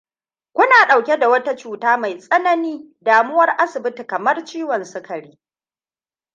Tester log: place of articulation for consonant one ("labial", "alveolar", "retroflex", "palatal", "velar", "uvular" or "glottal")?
velar